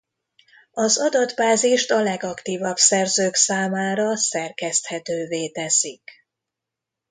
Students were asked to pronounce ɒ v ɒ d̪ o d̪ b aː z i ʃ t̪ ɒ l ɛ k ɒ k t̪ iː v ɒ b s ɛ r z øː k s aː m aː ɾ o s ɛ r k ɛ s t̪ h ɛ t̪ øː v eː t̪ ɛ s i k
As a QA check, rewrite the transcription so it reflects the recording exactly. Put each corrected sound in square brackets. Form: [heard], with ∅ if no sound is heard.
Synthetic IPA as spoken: ɒ [z] ɒ d̪ [ɒ] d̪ b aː z i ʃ t̪ ɒ l ɛ [ɡ] ɒ k t̪ iː v ɒ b s ɛ r z øː k s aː m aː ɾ [ɒ] s ɛ r k ɛ s t̪ h ɛ t̪ øː v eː t̪ ɛ s i k